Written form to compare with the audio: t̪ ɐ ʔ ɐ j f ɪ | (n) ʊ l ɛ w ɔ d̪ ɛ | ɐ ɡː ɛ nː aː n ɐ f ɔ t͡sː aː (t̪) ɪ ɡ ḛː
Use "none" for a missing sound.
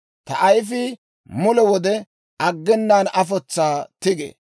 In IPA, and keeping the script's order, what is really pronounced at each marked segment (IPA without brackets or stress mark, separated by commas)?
m, t̪